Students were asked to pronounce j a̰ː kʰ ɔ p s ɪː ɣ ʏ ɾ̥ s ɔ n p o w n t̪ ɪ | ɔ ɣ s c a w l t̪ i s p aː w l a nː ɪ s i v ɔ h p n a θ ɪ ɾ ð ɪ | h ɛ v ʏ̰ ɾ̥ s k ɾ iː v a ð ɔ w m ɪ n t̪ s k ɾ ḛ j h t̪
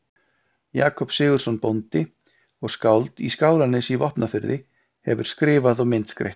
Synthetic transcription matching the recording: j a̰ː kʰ ɔ p s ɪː ɣ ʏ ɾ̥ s ɔ n p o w n t̪ ɪ | ɔ ɣ s k a w l t̪ i s k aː w l a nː ɪ s i v ɔ h p n a f ɪ ɾ ð ɪ | h ɛ v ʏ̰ ɾ̥ s k ɾ ɪː v a ð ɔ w m ɪ n t̪ s k ɾ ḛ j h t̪